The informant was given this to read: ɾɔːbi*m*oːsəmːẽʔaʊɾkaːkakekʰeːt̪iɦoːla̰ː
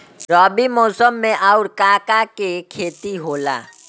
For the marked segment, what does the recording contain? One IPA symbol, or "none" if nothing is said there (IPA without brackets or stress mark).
m